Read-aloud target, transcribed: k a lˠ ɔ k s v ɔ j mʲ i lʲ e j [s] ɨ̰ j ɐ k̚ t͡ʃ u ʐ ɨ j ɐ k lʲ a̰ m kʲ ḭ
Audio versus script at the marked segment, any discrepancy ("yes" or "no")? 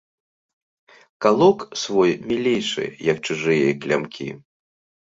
yes